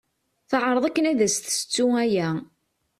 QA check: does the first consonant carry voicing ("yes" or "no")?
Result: no